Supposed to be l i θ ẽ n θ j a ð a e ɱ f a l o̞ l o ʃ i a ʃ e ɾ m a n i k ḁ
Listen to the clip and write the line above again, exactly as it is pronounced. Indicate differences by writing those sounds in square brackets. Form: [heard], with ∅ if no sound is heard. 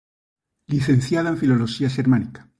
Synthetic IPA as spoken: l i θ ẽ n θ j a ð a e ɱ f [i] l o̞ l o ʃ i a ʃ e ɾ m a n i k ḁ

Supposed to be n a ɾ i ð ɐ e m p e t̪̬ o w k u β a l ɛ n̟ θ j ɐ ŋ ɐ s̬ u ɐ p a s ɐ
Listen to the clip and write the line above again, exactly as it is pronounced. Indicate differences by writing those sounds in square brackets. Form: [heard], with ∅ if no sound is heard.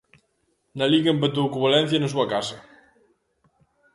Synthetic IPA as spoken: n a [l] i [ɣ] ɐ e m p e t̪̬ o w k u β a l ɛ n̟ θ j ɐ [n] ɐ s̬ u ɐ [k] a s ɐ

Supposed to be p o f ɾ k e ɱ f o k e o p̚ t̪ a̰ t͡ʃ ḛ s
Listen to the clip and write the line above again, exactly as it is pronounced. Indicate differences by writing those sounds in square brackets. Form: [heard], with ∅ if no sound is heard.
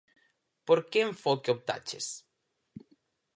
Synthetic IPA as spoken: p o [∅] ɾ k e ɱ f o k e o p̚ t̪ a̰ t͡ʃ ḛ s

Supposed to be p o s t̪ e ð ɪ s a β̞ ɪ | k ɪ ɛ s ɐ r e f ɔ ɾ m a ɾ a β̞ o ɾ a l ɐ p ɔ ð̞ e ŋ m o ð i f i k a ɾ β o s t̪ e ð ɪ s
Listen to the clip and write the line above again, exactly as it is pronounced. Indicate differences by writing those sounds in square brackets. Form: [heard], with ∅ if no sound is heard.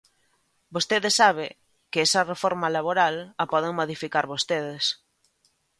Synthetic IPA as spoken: [b] o s t̪ e ð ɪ s a β̞ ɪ | k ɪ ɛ s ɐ r e f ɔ ɾ m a [l] a β̞ o ɾ a l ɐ p ɔ ð̞ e ŋ m o ð i f i k a ɾ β o s t̪ e ð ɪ s

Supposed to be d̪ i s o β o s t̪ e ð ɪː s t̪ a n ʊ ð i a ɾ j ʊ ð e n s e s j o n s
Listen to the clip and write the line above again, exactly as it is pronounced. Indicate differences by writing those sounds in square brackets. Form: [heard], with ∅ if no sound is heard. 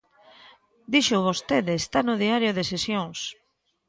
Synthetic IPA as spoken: d̪ i [ʃ] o β o s t̪ e ð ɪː s t̪ a n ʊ ð i a ɾ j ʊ ð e [∅] s e s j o [ŋ] s

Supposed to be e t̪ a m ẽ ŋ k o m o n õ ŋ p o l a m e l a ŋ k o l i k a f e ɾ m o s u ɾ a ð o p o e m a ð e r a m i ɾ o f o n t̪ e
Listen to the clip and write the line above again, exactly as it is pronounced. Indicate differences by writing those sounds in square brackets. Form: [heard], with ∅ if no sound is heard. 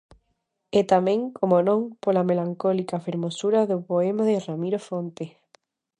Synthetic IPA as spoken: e t̪ a m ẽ ŋ k o m o n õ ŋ p o l a m e l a ŋ k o l i k a f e ɾ m o s u ɾ a ð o p o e m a ð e r a m i ɾ o f o n t̪ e

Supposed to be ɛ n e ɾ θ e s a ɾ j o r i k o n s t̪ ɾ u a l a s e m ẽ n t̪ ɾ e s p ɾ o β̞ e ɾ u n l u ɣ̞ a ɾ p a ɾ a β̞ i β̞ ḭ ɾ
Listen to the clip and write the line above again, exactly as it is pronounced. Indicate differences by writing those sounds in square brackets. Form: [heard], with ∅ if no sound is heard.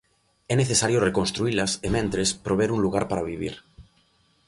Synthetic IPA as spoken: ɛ n e [∅] θ e s a ɾ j o r [e] k o n s t̪ ɾ u [i] l a s e m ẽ n t̪ ɾ e s p ɾ o β̞ e ɾ u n l u ɣ̞ a ɾ p a ɾ a β̞ i β̞ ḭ ɾ

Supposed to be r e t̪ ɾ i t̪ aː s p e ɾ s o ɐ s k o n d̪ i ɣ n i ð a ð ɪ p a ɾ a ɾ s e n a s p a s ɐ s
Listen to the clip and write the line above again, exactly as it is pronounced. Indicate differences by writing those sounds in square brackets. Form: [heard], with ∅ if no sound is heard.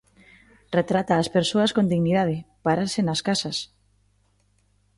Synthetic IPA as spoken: r e t̪ ɾ [a] t̪ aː s p e ɾ s o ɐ s k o n d̪ i ɣ n i ð a ð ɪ p a ɾ a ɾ s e n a s [k] a s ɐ s

